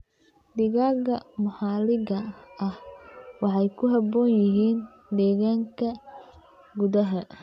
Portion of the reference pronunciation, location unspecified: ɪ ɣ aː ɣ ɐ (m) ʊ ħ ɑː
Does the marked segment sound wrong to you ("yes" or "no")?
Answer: no